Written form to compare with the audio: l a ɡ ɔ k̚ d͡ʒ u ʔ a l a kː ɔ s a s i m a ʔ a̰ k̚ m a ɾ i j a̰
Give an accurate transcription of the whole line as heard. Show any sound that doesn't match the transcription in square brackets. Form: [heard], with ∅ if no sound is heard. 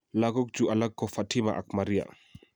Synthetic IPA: l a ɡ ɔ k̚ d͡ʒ u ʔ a l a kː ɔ [f] a [t] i m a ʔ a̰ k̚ m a ɾ i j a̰